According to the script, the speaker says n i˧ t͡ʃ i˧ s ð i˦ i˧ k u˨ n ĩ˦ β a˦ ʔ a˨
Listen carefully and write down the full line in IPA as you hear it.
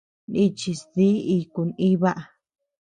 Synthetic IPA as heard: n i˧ t͡ʃ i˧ s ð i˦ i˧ k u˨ n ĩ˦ β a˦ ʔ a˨

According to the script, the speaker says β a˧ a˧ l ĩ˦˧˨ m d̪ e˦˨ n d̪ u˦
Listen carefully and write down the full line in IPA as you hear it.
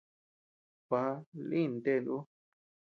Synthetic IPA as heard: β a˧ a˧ l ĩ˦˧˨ n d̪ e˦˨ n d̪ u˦

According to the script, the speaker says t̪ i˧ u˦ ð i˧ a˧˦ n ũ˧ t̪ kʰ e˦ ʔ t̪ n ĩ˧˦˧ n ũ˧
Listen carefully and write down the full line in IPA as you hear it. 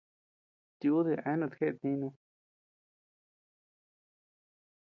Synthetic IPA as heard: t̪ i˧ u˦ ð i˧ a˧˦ n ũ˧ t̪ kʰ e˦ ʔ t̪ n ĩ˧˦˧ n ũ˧

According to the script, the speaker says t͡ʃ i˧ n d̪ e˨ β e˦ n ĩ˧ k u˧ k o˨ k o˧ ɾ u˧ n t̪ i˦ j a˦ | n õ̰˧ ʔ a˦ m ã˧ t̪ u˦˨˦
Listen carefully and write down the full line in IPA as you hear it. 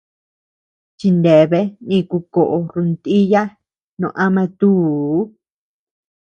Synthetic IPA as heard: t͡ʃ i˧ n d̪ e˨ β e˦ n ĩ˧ k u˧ k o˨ ʔ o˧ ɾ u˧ n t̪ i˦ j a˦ | n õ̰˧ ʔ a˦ m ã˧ t̪ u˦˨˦

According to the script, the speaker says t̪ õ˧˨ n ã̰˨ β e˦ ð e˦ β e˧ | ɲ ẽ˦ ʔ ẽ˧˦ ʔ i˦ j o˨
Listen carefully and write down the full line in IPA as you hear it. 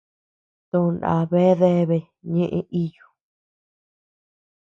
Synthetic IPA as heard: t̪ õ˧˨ n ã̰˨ β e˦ ð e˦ β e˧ | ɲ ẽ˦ ʔ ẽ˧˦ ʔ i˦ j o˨

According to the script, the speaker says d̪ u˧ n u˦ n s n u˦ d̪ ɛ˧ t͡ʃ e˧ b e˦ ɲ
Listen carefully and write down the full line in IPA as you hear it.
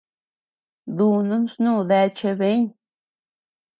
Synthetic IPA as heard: d̪ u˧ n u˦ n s n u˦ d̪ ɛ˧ t͡ʃ e˧ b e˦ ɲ

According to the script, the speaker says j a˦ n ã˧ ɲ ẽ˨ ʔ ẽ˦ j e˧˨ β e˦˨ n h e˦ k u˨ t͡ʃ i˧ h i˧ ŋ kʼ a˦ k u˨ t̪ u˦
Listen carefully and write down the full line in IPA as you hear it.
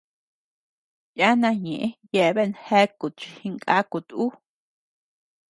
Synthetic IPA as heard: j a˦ n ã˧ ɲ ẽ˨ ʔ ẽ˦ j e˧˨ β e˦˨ n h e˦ k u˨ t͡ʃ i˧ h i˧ ŋ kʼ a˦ k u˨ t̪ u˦

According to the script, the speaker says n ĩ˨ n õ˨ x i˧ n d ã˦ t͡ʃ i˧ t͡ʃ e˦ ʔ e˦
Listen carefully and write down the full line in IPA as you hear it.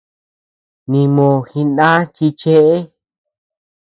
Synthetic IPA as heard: n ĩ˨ m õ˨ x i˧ n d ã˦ t͡ʃ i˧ t͡ʃ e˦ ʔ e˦

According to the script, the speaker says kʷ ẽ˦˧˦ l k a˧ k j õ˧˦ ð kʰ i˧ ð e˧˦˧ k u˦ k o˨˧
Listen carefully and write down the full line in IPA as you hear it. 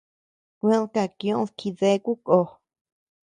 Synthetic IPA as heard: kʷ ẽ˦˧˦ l k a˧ k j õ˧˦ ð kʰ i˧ ð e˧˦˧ k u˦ k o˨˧

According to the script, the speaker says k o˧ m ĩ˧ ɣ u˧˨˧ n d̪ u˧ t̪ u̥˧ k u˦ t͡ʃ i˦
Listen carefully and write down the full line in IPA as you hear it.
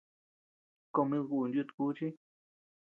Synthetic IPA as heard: k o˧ m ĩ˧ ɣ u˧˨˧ n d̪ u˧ t̪ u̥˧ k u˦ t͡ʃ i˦

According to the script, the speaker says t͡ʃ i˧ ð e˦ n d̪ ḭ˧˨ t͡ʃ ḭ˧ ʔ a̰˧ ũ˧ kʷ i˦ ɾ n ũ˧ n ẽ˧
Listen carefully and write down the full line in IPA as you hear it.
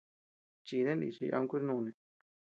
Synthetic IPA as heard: t͡ʃ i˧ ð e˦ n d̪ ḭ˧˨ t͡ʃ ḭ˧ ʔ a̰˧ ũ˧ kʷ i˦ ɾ n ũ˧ n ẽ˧

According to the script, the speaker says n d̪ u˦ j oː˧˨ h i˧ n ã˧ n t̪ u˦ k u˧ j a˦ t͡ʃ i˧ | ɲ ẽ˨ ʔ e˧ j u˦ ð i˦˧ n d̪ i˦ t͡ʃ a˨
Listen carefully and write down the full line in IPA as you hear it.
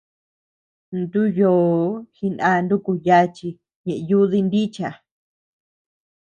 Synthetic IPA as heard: n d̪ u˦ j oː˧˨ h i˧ n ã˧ n d̪ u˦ k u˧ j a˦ t͡ʃ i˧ | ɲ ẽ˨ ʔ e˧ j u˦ ð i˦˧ n d̪ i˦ t͡ʃ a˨

